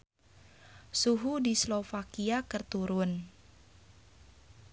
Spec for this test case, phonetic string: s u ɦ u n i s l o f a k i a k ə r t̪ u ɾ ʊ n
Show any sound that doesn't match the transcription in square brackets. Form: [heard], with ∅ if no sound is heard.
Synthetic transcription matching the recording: s u ɦ u [d] i s l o f a k i a k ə r t̪ u ɾ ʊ n